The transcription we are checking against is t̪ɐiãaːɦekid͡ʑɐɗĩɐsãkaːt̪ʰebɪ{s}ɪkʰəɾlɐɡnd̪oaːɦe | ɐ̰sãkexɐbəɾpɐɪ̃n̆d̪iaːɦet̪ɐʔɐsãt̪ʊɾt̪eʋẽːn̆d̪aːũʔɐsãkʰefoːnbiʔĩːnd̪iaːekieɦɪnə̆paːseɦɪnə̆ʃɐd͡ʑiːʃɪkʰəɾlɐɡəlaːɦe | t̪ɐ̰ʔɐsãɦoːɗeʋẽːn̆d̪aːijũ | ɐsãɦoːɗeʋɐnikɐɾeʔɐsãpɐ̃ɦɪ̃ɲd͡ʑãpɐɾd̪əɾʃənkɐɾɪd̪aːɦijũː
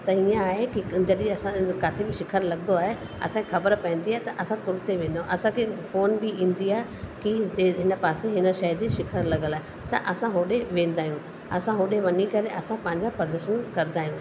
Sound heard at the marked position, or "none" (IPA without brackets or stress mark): ʃ